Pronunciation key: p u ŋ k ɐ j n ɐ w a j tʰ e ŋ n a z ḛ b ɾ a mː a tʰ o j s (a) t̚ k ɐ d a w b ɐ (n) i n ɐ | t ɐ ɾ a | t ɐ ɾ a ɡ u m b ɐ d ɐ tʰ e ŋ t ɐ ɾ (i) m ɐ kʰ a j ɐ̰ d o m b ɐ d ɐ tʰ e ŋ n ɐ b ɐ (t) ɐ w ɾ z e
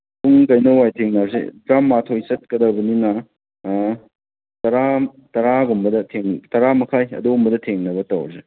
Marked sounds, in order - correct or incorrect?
incorrect, correct, incorrect, correct

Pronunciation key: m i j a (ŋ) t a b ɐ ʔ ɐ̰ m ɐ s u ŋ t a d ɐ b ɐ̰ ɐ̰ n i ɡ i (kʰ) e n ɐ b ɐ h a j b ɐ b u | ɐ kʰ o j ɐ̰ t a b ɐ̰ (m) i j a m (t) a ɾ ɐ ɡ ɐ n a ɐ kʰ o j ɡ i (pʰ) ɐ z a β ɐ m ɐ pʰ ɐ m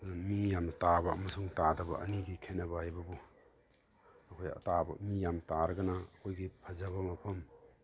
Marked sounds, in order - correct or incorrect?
incorrect, correct, correct, correct, correct

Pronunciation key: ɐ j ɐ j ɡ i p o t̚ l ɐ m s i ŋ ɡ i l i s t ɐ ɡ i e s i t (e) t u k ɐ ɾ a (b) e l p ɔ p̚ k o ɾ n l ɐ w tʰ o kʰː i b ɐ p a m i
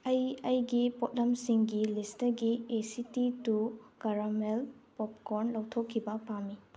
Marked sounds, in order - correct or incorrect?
incorrect, incorrect

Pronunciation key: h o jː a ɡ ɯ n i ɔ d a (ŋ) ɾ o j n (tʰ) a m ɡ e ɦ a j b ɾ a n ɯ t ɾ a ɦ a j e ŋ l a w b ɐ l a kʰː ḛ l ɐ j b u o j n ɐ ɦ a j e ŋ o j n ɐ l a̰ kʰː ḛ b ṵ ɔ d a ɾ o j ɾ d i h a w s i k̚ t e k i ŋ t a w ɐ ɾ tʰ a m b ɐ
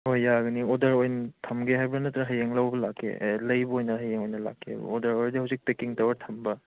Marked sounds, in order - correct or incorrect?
incorrect, correct

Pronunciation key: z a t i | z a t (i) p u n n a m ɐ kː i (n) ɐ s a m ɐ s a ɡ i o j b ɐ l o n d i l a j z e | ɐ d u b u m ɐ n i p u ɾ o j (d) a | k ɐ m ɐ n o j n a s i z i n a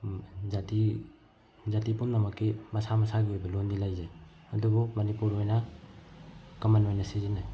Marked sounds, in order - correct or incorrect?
correct, incorrect, incorrect

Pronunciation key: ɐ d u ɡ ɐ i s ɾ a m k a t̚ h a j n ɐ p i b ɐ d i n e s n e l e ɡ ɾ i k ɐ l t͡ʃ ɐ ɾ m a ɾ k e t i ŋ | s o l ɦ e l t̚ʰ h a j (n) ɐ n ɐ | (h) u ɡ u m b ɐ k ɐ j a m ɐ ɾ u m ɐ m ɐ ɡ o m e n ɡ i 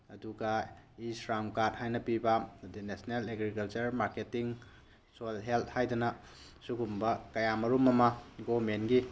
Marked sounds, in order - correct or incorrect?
incorrect, incorrect

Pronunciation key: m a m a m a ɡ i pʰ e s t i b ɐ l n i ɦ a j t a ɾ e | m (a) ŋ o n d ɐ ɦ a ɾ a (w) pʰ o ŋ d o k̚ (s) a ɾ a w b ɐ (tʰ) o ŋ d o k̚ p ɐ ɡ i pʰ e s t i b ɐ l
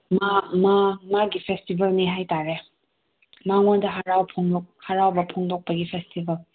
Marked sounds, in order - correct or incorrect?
correct, correct, incorrect, incorrect

